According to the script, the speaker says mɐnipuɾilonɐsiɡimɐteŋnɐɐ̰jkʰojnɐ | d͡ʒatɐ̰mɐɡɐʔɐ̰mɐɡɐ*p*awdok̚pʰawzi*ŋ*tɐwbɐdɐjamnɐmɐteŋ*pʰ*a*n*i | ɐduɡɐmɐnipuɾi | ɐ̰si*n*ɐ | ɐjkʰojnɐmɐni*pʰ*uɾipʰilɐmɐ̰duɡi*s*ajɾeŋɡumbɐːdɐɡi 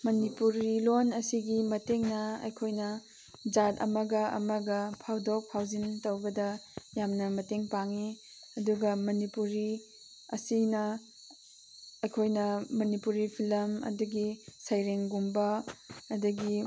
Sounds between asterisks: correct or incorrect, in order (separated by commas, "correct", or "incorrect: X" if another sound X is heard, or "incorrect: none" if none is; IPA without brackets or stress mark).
incorrect: pʰ, incorrect: n, incorrect: p, incorrect: ŋ, correct, incorrect: p, correct